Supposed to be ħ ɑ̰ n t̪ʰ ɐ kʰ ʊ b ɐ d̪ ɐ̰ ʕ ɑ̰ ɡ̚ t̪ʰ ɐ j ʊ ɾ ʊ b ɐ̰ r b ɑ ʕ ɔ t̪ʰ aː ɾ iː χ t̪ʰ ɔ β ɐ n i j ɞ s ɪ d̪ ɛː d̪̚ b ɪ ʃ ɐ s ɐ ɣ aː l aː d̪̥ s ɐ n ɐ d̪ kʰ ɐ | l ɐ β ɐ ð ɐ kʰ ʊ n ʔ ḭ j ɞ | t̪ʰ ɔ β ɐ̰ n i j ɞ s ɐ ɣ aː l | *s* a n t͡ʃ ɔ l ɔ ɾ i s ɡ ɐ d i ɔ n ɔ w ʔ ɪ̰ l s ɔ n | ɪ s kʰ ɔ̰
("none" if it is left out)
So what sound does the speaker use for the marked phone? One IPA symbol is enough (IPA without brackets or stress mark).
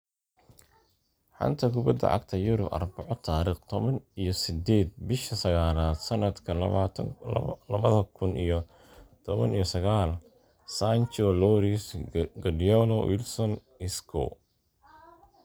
s